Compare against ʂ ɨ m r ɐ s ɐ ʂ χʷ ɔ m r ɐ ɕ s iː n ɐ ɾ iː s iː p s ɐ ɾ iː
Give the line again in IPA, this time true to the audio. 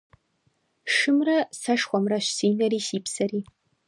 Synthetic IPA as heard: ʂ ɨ m r ɐ s ɐ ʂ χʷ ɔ m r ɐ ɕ s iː n ɐ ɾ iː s iː p s ɐ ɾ iː